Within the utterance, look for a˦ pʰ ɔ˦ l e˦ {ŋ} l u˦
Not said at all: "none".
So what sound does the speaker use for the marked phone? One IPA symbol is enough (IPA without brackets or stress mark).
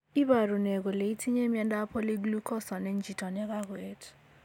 ɡ